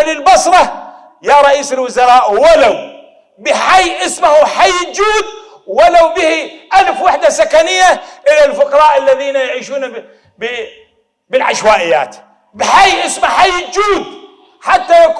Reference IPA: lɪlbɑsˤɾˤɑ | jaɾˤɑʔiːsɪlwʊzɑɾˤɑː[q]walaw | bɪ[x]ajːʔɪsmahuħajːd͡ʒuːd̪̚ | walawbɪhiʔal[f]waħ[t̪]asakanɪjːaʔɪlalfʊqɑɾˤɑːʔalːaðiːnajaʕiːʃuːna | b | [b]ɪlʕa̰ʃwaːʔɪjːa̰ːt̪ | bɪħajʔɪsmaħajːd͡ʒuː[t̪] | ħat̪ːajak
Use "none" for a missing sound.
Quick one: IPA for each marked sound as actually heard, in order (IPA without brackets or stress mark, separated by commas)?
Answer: ʔ, ħ, f, d̪, b, d̪